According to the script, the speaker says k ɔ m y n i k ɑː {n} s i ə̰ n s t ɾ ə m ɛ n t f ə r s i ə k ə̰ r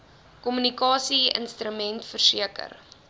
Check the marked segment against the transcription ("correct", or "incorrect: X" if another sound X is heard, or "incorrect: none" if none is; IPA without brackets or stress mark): incorrect: none